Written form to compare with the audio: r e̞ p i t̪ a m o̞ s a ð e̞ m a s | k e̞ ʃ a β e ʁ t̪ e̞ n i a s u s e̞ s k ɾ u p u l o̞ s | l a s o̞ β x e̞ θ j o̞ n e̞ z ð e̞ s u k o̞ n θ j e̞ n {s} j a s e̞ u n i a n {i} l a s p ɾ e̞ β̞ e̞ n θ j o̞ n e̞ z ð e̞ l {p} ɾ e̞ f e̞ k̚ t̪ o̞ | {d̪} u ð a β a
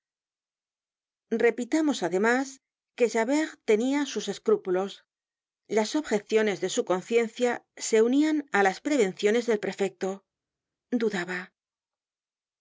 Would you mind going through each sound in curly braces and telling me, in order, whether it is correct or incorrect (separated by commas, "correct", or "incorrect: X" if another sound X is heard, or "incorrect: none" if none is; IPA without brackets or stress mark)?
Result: incorrect: θ, incorrect: a, correct, correct